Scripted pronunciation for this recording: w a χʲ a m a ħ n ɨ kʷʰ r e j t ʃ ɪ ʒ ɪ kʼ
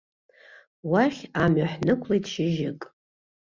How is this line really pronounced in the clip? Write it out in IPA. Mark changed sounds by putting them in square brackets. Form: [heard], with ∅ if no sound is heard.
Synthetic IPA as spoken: w a χʲ a m a ħ n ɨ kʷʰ [l] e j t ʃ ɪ ʒ ɪ kʼ